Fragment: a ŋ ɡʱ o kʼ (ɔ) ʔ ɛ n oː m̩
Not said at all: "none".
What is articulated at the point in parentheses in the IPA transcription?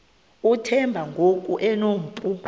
u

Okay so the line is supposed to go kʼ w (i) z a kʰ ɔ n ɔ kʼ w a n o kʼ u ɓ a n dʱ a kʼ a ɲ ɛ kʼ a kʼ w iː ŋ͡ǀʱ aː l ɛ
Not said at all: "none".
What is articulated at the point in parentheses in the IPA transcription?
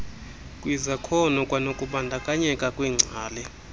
i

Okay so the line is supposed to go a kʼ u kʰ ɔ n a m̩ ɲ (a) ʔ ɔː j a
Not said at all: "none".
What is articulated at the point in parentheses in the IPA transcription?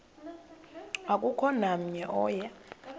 ɛ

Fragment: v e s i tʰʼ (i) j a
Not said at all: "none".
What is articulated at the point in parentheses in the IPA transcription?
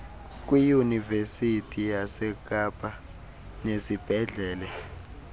i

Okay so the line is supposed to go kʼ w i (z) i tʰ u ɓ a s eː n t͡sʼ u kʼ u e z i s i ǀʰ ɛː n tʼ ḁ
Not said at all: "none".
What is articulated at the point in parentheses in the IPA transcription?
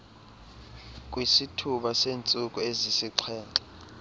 s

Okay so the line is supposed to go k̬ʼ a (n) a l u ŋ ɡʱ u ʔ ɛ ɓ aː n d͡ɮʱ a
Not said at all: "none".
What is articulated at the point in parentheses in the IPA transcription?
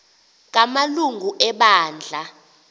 m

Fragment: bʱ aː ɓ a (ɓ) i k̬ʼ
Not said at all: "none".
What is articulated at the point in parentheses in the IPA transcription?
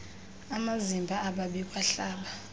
ɓ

